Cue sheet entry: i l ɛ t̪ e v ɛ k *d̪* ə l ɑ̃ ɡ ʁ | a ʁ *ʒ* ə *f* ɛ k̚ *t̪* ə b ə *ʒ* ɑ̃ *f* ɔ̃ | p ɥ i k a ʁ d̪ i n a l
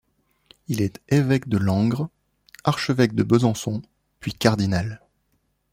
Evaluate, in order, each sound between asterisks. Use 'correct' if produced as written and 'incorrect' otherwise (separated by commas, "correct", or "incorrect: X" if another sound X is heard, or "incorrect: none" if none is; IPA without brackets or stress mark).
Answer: correct, incorrect: ʃ, incorrect: v, incorrect: d̪, incorrect: z, incorrect: s